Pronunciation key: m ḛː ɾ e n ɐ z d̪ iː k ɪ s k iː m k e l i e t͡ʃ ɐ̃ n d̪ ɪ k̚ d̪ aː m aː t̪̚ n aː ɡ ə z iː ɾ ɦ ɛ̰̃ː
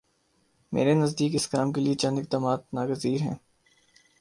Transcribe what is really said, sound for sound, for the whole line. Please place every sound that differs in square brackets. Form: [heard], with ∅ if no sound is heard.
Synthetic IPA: m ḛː ɾ e n ɐ z d̪ iː k ɪ s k [aː] m k e l i e t͡ʃ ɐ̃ n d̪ ɪ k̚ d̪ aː m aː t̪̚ n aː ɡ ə z iː ɾ ɦ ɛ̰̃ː